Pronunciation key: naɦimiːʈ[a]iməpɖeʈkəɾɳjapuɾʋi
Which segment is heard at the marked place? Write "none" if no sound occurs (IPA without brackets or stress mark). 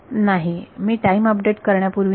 a